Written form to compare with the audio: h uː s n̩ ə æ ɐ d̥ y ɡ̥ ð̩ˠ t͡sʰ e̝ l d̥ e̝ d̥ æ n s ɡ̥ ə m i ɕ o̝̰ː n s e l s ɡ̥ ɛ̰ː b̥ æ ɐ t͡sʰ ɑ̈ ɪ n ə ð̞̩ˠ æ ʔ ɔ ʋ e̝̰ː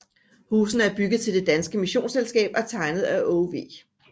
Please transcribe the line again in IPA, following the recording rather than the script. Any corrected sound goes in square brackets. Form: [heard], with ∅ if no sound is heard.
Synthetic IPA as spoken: h uː s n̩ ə æ ɐ [b̥] y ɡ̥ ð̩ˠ t͡sʰ e̝ l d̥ e̝ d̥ æ n s ɡ̥ ə m i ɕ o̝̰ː n s e l s ɡ̥ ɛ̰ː b̥ æ ɐ t͡sʰ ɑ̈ ɪ n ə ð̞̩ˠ æ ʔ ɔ ʋ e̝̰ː